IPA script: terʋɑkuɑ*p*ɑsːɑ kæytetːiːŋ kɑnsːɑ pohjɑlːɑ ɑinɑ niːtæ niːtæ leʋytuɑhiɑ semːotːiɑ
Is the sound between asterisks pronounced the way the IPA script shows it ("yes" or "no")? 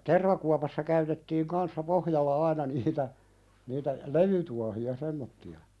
yes